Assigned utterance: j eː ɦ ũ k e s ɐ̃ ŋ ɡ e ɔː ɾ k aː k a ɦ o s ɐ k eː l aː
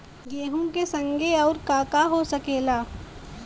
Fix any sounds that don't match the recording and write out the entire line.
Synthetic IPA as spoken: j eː ɦ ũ k e s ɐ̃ ŋ ɡ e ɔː ɾ k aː k a ɦ o s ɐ k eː l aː